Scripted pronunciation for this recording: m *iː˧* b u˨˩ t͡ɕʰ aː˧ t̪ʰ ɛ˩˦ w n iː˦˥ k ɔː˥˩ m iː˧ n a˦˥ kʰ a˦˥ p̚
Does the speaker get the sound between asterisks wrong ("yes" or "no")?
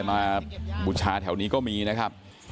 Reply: yes